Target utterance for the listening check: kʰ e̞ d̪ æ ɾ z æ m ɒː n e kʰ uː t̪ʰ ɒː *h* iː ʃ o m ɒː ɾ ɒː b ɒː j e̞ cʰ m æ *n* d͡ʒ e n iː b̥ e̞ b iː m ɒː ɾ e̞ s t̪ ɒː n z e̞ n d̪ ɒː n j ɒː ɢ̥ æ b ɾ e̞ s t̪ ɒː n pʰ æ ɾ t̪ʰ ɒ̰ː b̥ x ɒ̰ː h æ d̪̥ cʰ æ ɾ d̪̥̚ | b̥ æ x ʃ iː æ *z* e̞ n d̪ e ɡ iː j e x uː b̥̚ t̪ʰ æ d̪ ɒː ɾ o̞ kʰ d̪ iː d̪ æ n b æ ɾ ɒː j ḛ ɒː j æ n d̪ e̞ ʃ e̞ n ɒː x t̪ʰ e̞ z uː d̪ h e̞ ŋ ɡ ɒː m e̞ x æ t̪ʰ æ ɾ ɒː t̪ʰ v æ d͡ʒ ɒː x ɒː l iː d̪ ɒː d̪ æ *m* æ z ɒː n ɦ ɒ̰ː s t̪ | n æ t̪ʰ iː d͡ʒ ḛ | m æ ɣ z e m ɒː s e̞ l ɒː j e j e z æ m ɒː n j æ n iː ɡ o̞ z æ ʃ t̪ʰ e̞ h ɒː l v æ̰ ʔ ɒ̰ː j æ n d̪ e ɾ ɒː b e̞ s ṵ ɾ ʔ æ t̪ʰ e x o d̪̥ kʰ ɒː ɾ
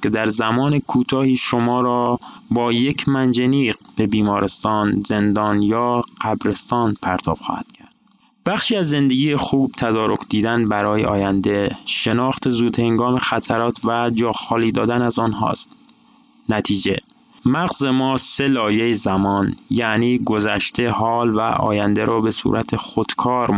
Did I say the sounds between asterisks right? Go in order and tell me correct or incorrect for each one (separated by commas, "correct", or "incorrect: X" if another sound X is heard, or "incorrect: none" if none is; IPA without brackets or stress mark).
correct, correct, incorrect: zː, incorrect: n